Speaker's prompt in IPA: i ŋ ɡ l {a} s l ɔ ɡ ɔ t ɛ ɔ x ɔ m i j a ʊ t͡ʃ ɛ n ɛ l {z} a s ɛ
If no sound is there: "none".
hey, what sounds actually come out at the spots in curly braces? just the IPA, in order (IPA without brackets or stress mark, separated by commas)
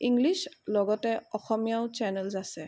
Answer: i, z